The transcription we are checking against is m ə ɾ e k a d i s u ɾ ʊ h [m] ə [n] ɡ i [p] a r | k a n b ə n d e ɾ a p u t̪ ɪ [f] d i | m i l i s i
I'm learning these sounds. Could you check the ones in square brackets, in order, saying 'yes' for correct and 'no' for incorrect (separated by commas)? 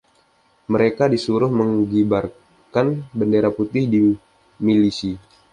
yes, no, no, no